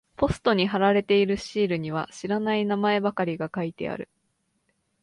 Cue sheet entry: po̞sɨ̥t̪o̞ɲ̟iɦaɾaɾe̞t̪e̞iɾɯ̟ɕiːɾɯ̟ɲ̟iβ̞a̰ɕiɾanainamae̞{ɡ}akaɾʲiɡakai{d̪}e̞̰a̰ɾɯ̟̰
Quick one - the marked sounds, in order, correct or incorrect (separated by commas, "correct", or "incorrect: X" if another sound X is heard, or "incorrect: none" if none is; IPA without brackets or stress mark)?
incorrect: b, incorrect: t̪